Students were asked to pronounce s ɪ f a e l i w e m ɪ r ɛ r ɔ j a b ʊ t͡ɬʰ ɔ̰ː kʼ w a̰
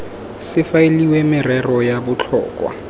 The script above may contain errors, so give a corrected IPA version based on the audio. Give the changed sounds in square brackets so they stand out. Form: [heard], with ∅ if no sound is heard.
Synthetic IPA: s ɪ f a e l i w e m ɪ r ɛ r ɔ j a b ʊ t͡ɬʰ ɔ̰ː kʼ w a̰